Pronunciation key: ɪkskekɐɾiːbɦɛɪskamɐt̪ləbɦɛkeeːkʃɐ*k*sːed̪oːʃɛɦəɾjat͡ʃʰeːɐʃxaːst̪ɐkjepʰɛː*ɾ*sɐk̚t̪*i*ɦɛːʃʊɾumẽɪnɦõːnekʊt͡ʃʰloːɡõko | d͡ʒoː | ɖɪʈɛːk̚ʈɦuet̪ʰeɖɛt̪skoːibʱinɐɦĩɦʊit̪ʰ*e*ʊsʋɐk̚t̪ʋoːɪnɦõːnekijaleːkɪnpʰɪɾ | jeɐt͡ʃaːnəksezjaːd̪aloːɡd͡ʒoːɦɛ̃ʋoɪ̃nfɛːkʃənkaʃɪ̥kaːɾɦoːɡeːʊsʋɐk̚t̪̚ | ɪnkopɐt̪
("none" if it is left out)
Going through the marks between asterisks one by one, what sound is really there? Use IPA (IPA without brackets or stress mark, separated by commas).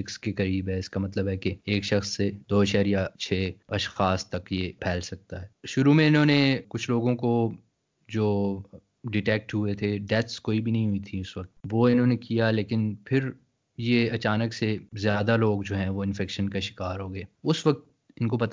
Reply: x, l, a, i